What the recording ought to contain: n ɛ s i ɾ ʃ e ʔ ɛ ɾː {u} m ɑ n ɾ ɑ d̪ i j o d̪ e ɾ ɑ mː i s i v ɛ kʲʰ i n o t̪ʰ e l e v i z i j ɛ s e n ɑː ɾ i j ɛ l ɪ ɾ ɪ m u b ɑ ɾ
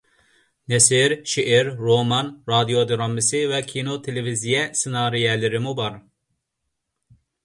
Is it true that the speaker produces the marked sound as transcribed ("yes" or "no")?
no